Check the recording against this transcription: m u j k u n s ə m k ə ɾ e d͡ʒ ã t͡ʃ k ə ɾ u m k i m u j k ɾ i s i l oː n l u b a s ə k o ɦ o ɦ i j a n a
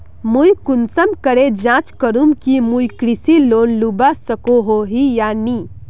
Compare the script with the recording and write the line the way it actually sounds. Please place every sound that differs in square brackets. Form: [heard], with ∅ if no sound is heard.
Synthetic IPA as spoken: m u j k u n s ə m k ə ɾ e d͡ʒ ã t͡ʃ k ə ɾ u m k i m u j k ɾ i s i l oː n l u b a s ə k o ɦ o ɦ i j a n [i]